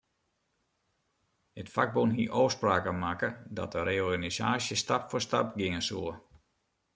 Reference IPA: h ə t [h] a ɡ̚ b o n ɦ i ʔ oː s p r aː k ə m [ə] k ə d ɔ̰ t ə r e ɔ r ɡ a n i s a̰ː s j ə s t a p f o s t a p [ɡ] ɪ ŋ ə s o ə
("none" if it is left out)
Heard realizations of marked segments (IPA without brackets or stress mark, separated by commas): f, a, ɡ